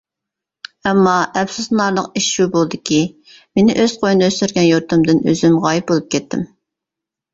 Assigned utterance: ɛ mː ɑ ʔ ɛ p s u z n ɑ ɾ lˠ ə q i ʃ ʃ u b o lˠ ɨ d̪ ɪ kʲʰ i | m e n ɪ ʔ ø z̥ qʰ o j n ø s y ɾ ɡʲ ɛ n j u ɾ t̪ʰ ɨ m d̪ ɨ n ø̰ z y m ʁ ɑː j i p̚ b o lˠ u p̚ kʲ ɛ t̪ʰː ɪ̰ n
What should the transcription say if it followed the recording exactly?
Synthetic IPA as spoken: ɛ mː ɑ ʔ ɛ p s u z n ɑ ɾ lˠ ə q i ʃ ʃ u b o lˠ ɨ d̪ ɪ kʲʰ i | m e n ɪ ʔ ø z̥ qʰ o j n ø s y ɾ ɡʲ ɛ n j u ɾ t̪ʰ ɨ m d̪ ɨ n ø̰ z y m ʁ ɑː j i p̚ b o lˠ u p̚ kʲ ɛ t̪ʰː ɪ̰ m

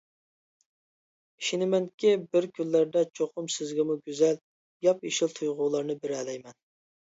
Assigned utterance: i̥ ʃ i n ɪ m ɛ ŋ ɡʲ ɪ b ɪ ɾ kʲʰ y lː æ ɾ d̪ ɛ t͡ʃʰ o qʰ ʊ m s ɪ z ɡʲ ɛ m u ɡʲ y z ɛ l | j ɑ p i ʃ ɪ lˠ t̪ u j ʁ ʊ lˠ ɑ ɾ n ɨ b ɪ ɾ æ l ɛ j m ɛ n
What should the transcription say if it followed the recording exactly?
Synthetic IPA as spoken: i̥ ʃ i n ɪ m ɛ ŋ kʲ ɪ b ɪ ɾ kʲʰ y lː æ ɾ d̪ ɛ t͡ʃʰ o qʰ ʊ m s ɪ z ɡʲ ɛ m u ɡʲ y z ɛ l | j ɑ p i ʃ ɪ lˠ t̪ʰ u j ʁ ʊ lˠ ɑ ɾ n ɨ b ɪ ɾ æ l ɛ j m ɛ n

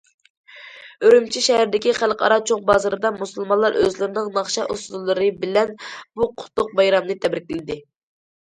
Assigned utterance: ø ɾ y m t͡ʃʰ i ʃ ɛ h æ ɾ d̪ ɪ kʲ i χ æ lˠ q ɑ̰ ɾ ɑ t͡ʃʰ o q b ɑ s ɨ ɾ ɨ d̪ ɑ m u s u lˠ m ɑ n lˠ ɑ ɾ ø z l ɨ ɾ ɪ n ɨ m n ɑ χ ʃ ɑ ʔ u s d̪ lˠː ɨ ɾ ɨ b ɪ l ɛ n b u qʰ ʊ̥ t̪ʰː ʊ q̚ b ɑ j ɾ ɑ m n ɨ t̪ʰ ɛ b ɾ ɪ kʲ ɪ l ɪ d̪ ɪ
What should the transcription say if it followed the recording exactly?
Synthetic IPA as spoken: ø ɾ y m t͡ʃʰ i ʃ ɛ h æ ɾ d̪ ɪ kʲ i χ æ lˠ q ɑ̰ ɾ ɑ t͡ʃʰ o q b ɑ z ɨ ɾ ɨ d̪ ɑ m u s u lˠ m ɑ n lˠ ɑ ɾ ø z l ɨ ɾ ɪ n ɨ ŋ n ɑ χ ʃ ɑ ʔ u s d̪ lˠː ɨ ɾ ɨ b ɪ l ɛ n b u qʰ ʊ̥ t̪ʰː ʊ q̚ b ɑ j ɾ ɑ m n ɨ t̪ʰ ɛ b ɾ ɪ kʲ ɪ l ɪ d̪ ɪ

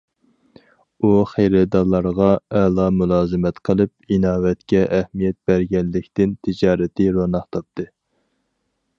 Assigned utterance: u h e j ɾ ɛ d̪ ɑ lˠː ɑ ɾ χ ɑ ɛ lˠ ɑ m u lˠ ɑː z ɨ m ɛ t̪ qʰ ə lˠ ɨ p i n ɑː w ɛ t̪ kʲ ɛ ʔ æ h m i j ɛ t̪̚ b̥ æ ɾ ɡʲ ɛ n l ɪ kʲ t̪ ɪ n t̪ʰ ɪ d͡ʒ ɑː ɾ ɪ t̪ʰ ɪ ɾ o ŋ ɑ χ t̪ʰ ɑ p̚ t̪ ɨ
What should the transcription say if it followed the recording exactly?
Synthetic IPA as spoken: u χ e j ɾ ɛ d̪ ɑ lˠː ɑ ɾ ʁ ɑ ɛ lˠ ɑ m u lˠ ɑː z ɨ m ɛ t̪ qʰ ə lˠ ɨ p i n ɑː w ɛ t̪ kʲ ɛ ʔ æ h m i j ɛ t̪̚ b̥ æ ɾ ɡʲ ɛ n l ɪ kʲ t̪ ɪ n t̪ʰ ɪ d͡ʒ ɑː ɾ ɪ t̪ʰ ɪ ɾ o n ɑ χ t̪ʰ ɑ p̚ t̪ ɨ

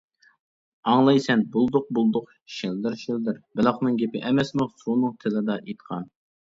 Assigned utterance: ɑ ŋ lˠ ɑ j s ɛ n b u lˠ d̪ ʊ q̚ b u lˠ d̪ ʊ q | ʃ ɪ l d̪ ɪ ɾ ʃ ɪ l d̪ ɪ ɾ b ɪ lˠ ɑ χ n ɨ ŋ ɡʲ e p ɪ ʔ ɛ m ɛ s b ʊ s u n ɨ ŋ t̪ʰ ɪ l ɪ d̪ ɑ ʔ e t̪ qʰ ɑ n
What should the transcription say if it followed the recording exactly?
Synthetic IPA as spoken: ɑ ŋ lˠ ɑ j s ɛ n b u lˠ d̪ ʊ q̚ b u lˠ d̪ ʊ q | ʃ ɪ l d̪ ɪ ɾ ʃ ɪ l d̪ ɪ ɾ b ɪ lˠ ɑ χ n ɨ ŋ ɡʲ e p ɪ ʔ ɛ m ɛ s m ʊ s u n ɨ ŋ t̪ʰ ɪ l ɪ d̪ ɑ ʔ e t̪ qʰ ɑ n

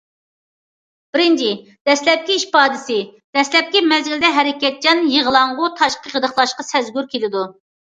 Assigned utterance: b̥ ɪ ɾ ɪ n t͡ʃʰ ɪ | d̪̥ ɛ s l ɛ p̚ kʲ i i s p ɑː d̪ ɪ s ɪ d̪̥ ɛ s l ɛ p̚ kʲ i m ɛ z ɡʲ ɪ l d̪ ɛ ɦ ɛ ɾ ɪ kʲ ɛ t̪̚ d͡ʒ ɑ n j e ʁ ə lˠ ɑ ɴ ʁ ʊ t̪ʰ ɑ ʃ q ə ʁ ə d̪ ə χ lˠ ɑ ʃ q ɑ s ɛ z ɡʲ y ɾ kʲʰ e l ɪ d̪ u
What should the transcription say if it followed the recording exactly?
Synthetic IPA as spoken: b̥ ɪ ɾ ɪ n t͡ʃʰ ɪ | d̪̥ ɛ s l ɛ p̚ kʲ i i ʃ p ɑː d̪ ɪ s ɪ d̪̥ ɛ s l ɛ p̚ kʲ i m ɛ z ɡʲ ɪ l d̪ ɛ ɦ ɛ ɾ ɪ kʲ ɛ t̪̚ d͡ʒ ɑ n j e ʁ ə lˠ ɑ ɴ ʁ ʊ t̪ʰ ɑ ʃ q ə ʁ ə d̪ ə χ lˠ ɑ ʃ q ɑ s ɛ z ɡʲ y ɾ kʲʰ e l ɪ d̪ u

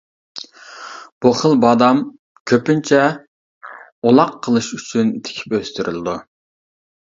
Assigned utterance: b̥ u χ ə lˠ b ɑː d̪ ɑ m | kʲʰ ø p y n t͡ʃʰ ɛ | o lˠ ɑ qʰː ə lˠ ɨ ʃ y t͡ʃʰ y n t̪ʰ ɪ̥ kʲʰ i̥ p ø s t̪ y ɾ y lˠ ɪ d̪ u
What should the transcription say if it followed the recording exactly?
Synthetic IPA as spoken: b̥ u χ ə lˠ b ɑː d̪ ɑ m | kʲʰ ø p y n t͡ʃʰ ɛ | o lˠ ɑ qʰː ə lˠ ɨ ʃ y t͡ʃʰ y n t̪ʰ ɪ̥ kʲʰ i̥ p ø s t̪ y ɾ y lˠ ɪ d̪ u

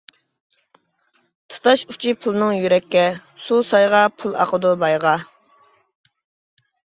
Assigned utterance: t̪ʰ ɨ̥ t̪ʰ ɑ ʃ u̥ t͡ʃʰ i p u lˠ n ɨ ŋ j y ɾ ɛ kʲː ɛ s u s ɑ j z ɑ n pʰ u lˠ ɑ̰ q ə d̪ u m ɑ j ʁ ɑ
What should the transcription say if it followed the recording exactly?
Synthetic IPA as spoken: t̪ʰ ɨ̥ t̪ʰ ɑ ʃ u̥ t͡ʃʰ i pʰ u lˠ n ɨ ŋ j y ɾ ɛ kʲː ɛ s u s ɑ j ʁ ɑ pʰ u lˠ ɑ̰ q ə d̪ u b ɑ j ʁ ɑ

